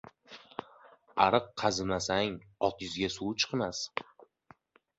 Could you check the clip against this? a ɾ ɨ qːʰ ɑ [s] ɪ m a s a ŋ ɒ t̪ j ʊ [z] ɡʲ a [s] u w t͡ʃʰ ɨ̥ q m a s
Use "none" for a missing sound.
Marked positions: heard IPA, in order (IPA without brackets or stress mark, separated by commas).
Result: z, z, s